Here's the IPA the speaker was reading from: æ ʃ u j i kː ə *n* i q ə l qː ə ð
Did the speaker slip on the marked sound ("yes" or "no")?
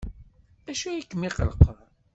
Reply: yes